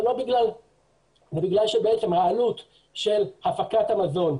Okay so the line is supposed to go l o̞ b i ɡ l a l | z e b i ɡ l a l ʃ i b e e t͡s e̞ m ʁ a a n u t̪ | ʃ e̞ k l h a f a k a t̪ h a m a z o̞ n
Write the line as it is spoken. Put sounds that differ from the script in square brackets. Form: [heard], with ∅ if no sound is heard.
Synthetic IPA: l o̞ b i ɡ l a l | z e b i ɡ l a l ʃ [e] b e e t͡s e̞ m ʁ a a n u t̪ | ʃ e̞ [∅] l h a f a k a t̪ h a m a z o̞ n